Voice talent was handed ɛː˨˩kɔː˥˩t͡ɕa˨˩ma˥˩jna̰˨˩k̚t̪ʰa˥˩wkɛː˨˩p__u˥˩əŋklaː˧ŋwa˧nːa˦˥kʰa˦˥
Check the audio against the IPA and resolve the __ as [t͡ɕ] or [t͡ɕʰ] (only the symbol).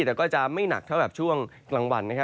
t͡ɕʰ